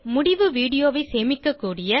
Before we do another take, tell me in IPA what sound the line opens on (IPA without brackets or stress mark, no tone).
m